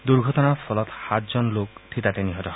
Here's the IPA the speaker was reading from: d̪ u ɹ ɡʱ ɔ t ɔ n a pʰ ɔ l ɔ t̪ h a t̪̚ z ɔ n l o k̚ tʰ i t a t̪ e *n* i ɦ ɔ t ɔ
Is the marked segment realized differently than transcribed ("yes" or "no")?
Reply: no